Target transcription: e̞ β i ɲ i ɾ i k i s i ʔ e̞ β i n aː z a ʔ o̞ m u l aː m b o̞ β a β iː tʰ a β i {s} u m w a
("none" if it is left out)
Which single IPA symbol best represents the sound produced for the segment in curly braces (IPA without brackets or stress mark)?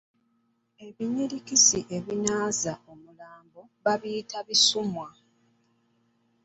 s